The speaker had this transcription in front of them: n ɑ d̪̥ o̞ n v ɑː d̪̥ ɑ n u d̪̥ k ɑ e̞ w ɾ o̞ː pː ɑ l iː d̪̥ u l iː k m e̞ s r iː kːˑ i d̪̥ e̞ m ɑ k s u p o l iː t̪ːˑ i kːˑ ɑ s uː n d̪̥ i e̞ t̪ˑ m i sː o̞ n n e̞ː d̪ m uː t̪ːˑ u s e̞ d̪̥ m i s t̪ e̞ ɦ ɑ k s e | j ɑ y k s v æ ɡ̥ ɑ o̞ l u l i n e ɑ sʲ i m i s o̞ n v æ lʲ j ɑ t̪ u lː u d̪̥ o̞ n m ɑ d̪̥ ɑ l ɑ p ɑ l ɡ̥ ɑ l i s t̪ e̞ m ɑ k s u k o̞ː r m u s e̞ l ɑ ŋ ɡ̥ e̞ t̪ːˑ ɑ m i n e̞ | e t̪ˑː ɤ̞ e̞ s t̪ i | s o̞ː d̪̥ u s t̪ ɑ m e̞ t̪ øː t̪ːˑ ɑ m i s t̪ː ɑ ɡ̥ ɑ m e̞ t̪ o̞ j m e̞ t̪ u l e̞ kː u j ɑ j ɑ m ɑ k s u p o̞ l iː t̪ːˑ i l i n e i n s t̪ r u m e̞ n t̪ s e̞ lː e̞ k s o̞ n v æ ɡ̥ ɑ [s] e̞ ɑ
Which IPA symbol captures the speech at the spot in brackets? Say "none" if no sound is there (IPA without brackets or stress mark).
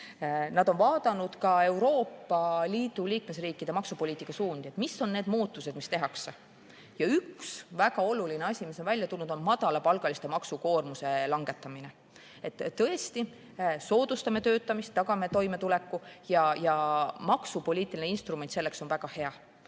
h